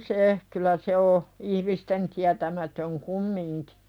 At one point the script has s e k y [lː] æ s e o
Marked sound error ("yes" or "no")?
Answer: yes